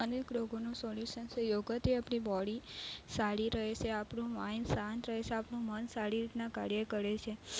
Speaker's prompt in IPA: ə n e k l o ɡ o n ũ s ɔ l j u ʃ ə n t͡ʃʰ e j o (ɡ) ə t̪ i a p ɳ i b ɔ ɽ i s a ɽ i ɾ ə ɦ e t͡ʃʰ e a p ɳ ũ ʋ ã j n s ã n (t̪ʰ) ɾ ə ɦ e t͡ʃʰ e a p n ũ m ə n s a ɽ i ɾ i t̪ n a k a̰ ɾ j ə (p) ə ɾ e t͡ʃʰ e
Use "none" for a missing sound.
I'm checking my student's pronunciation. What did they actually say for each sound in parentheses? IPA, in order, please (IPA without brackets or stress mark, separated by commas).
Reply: ɡ, t̪, k